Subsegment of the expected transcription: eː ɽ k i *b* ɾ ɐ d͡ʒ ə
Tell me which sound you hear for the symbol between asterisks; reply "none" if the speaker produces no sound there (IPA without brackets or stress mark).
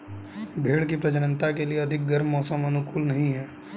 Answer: p